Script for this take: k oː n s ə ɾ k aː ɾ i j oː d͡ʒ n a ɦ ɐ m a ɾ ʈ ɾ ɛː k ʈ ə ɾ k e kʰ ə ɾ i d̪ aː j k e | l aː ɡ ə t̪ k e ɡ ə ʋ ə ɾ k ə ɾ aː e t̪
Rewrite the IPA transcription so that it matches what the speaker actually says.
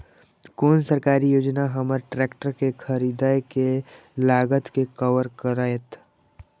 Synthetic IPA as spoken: k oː n s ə ɾ k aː ɾ i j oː d͡ʒ n a ɦ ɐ m ə ɾ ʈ ɾ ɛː k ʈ ə ɾ k e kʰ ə ɾ i d̪ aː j k e | l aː ɡ ə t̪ k e k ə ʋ ə ɾ k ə ɾ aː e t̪